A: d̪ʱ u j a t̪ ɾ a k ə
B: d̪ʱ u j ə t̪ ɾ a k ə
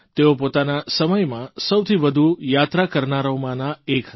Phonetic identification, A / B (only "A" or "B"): A